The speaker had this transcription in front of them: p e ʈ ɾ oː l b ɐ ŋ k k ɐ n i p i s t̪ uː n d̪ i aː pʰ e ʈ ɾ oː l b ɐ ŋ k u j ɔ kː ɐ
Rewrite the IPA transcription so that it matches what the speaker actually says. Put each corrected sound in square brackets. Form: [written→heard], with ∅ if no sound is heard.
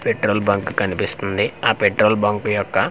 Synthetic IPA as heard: p e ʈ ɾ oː l b ɐ ŋ k k ɐ n i p i s t̪ [uː→u] n d̪ i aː [pʰ→p] e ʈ ɾ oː l b ɐ ŋ k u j ɔ kː ɐ